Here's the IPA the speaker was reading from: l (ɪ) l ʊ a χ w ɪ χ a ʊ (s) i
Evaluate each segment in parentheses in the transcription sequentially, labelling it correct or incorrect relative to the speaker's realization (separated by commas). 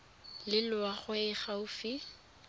correct, incorrect